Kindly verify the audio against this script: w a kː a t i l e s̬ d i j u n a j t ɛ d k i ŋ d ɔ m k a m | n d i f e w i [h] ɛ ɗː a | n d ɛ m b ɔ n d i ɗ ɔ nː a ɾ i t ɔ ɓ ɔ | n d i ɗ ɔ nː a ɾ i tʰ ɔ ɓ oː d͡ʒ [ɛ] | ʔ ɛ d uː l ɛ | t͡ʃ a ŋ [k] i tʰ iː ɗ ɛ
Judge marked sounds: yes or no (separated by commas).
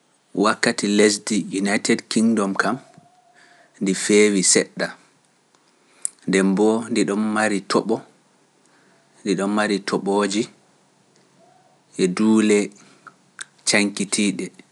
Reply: no, no, yes